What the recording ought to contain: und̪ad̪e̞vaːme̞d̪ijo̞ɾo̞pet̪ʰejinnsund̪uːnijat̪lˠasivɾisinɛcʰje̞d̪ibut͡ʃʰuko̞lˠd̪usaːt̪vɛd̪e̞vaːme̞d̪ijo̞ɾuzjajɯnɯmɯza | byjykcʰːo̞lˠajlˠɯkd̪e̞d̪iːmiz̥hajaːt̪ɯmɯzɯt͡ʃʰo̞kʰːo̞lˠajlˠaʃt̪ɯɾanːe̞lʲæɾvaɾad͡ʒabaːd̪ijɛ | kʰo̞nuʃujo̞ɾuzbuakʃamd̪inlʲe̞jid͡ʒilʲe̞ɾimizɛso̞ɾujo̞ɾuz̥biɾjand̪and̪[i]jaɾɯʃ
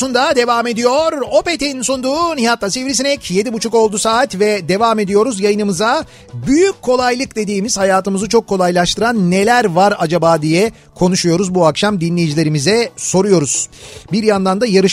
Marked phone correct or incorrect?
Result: incorrect